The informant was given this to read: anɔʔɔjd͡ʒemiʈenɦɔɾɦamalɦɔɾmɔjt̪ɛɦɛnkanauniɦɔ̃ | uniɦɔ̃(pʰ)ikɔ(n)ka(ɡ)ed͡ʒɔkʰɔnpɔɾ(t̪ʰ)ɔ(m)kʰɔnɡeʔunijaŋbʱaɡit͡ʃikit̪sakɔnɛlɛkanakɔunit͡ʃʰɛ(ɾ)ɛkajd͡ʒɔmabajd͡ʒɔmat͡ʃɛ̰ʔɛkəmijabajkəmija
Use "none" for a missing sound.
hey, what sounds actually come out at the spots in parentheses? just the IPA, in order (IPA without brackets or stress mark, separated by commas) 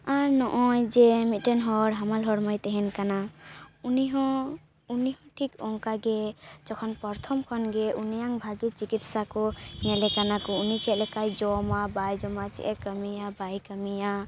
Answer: ʈʰ, ŋ, ɡ, t̪ʰ, m, l